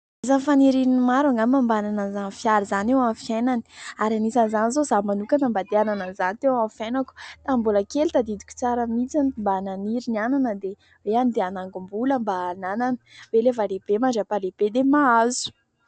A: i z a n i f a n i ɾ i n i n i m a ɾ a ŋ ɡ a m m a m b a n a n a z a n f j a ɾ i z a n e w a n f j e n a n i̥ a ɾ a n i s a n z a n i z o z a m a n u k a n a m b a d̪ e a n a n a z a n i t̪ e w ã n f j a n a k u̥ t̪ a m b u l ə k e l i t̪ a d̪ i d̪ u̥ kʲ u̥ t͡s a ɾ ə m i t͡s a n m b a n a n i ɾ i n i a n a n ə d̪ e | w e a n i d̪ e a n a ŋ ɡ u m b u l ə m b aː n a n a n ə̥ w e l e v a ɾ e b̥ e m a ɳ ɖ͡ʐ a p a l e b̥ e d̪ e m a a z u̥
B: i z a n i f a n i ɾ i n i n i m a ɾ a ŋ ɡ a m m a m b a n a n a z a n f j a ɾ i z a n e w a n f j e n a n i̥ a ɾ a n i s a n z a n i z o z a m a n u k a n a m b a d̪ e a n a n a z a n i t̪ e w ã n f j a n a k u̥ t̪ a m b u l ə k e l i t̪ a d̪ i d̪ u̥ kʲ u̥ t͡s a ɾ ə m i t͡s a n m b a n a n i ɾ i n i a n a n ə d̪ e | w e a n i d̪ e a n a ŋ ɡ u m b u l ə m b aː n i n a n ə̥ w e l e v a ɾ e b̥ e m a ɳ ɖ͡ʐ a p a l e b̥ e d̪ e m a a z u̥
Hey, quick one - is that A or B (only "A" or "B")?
A